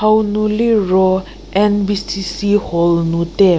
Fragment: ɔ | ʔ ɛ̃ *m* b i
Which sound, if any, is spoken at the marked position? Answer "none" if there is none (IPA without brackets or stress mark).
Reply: n